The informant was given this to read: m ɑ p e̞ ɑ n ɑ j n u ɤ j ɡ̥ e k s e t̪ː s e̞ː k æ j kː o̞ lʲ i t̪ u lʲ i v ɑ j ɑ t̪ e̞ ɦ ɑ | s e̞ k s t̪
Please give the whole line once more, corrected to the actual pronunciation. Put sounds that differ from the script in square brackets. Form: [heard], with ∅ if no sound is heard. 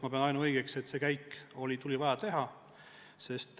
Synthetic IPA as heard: m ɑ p e̞ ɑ n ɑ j n u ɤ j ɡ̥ e k s e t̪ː s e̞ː k æ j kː o̞ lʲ i t̪ u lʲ i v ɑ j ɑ t̪ e̞ ɦ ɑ | s e̞ [∅] s t̪